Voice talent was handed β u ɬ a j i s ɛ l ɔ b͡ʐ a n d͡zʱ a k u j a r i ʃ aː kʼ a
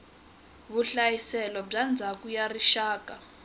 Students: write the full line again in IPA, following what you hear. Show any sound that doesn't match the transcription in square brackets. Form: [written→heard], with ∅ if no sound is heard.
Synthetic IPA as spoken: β u ɬ a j i s ɛ l ɔ b͡ʐ a n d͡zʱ a k u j a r i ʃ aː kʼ a